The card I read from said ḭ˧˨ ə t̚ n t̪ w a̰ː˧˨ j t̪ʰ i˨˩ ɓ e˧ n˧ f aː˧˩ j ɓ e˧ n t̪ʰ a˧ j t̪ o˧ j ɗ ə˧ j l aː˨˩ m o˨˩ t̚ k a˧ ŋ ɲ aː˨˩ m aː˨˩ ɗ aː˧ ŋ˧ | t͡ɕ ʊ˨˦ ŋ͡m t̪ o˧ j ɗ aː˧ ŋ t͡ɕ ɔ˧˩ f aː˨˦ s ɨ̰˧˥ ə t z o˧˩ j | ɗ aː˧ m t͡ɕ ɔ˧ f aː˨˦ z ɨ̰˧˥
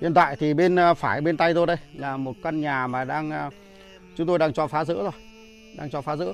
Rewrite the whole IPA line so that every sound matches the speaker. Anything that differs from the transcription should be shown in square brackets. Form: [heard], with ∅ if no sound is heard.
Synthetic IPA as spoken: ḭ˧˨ ə [∅] n t̪ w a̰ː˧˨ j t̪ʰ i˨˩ ɓ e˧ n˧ f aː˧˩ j ɓ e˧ n [t̪] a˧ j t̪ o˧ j ɗ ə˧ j l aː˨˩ m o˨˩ t̚ k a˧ [n] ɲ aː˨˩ m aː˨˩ ɗ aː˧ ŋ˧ | t͡ɕ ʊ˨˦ ŋ͡m t̪ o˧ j ɗ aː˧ ŋ t͡ɕ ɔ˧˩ f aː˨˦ [z] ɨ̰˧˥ ə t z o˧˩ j | ɗ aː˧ [ŋ] t͡ɕ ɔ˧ f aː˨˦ z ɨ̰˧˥